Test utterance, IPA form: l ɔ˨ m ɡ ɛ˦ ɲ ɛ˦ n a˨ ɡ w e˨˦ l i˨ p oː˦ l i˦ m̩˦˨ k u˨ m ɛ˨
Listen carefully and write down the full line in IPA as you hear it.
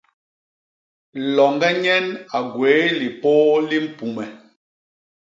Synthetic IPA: l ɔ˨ ŋ ɡ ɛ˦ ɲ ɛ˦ n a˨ ɡ w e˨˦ l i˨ p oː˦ l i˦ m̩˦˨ p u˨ m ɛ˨